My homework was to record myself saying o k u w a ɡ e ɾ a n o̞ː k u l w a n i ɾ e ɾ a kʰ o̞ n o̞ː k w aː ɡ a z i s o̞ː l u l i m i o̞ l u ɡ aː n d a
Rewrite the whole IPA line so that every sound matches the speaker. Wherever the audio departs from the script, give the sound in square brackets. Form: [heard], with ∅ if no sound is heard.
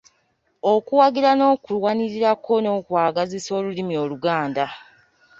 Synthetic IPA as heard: o k u w a ɡ [i] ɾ a n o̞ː k u l w a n i ɾ [i] ɾ a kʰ o̞ n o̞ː k w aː ɡ a z i s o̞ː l u l i m i o̞ l u ɡ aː n d a